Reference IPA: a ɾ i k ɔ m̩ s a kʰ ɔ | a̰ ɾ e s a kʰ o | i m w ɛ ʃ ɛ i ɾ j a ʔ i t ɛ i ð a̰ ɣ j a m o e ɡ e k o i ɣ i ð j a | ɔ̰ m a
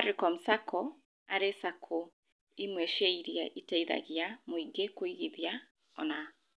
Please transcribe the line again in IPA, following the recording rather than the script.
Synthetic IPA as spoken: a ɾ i k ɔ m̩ s a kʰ ɔ | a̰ ɾ e s a kʰ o | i m w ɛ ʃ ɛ i ɾ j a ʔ i t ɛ i ð a̰ ɣ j a m o i ɡ e k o i ɣ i ð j a | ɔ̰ n a